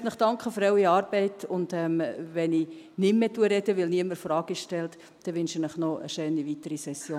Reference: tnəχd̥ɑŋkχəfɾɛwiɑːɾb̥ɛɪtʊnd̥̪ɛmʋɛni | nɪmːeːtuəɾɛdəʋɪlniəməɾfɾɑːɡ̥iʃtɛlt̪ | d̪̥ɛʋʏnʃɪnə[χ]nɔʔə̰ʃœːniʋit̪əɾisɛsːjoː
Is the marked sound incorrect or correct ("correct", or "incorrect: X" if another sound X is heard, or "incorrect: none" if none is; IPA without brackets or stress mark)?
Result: correct